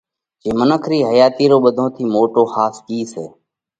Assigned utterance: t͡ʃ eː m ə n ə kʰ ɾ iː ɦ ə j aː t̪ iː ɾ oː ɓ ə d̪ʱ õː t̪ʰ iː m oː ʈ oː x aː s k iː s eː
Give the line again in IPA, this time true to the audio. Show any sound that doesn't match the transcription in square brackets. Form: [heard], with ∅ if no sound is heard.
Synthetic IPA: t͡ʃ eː m ə n ə kʰ ɾ iː ɦ ə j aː t̪ iː ɾ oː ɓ ə d̪ʱ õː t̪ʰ iː m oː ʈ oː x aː s k iː s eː

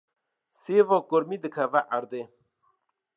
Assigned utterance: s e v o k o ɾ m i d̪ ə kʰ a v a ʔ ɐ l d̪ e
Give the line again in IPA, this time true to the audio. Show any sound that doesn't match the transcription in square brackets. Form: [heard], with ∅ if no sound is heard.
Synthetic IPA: s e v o k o ɾ m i d̪ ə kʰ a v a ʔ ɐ [ɾ] d̪ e

